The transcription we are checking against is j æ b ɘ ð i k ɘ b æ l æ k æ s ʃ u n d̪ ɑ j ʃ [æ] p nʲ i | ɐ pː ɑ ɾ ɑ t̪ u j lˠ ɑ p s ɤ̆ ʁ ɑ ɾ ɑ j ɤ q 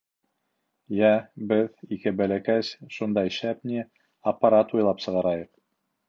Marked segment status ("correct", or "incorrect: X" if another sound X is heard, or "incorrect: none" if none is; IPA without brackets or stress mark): correct